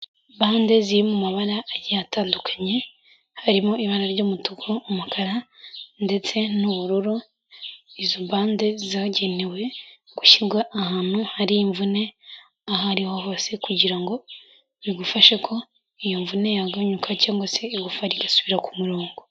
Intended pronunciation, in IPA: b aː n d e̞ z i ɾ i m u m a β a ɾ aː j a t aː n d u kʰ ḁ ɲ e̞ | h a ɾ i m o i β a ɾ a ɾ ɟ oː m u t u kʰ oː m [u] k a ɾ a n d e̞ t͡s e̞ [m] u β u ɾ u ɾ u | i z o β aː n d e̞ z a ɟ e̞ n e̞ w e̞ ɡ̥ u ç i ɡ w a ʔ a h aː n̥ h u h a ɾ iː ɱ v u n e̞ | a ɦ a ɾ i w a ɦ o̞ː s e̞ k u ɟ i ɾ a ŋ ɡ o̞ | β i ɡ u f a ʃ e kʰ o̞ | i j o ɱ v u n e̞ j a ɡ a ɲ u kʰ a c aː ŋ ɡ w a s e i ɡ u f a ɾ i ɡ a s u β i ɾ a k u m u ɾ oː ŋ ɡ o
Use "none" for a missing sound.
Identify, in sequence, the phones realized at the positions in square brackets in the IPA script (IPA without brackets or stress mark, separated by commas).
u, n